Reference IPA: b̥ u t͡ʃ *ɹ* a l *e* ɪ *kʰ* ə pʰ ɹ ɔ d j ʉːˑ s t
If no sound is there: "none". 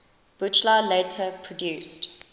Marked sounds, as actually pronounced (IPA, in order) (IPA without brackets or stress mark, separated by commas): l, e, tʰ